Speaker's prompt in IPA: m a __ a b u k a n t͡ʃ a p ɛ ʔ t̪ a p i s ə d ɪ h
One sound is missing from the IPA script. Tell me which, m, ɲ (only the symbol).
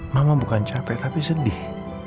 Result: m